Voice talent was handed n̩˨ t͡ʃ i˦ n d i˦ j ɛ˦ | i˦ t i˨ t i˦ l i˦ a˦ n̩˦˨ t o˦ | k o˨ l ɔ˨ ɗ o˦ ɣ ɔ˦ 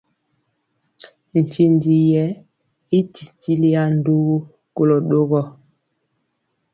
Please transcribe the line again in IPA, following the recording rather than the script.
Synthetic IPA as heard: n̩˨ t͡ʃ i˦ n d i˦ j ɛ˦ | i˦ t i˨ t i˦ l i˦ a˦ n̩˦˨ d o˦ | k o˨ l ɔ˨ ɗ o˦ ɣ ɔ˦